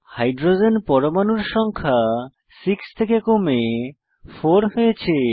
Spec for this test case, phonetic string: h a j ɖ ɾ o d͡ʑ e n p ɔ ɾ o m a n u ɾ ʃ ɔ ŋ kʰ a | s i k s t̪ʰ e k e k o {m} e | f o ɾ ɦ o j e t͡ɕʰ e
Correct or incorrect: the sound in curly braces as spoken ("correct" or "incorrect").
correct